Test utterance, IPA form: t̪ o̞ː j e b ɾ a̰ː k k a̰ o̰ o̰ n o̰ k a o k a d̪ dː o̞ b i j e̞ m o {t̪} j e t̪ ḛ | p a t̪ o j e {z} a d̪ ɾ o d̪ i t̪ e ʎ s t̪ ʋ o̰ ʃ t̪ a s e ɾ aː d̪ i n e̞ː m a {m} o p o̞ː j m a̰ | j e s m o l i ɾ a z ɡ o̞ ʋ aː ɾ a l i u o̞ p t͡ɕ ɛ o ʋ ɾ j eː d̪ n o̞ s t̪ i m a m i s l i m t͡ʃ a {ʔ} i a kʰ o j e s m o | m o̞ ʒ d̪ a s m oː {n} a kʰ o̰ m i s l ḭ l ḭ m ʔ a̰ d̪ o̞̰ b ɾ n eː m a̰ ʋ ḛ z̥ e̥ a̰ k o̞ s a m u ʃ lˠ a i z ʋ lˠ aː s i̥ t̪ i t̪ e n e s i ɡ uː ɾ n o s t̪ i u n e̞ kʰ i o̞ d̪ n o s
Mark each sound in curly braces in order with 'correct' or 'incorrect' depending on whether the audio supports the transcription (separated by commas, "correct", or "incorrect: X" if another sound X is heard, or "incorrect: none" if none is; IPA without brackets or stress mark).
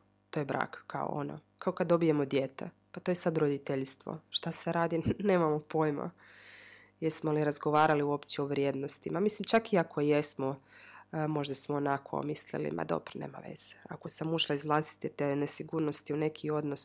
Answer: incorrect: d̪, incorrect: s, correct, incorrect: k, correct